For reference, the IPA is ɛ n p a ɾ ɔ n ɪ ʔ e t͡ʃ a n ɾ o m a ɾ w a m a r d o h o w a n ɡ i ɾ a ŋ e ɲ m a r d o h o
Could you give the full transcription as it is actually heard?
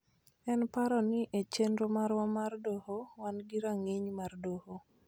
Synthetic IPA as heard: ɛ n p a ɾ ɔ n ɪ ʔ e t͡ʃ e n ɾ o m a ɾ w a m a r d o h o w a n ɡ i ɾ a ŋ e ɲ m a r d o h o